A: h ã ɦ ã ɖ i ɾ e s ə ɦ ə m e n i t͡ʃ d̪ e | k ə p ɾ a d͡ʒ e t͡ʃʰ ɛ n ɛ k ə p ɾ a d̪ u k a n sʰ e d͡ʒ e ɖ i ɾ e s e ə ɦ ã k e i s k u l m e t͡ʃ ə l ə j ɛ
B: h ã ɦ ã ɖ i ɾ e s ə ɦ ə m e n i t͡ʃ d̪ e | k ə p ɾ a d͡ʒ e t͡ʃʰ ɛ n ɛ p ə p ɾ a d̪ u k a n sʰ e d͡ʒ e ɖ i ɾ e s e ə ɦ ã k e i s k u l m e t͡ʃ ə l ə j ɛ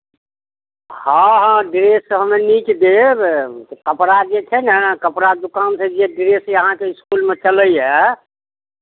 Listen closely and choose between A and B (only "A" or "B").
A